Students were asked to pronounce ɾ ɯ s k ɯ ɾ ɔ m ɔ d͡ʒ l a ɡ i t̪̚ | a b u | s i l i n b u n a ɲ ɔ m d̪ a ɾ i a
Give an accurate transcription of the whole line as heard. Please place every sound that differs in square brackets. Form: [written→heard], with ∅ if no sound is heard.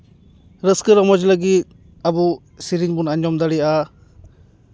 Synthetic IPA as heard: ɾ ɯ s k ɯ ɾ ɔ m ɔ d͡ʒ l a ɡ i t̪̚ | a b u | s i [l→ɾ] i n b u n a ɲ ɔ m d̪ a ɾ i a